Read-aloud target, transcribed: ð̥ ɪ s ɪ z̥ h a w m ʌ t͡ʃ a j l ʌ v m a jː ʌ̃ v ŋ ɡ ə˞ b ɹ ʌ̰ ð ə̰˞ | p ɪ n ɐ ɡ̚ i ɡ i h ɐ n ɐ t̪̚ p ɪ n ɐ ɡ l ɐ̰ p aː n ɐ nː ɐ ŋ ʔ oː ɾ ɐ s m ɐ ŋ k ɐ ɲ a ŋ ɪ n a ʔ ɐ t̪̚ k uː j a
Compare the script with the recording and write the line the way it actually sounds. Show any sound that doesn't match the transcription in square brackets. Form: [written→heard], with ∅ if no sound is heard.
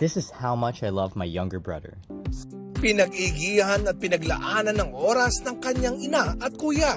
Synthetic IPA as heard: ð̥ ɪ s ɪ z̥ h a w m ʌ t͡ʃ a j l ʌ v m a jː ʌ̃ [v→∅] ŋ ɡ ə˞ b ɹ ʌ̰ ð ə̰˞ | p ɪ n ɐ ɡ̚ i ɡ i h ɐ n ɐ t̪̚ p ɪ n ɐ ɡ l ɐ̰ [p→ʔ] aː n ɐ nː ɐ ŋ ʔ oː ɾ ɐ s [m→n] ɐ ŋ k ɐ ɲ a ŋ ɪ n a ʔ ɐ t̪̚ k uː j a